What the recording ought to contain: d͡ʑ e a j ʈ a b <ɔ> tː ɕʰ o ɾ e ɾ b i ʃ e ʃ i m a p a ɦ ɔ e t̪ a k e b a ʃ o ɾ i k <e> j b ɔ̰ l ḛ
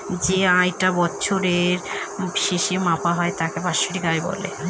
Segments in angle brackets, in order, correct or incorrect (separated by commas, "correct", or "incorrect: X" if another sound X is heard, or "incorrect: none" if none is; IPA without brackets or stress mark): correct, incorrect: a